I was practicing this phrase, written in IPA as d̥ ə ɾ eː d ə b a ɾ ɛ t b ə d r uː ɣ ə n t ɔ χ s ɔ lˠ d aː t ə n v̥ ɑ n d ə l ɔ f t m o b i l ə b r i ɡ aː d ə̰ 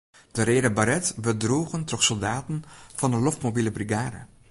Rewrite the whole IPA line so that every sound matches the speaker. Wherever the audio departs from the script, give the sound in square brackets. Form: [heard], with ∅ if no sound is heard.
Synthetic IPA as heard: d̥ ə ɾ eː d ə b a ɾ ɛ t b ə d r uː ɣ ə n t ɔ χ s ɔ lˠ d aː t ə n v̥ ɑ n d ə l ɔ f t m o b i l ə b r i ɡ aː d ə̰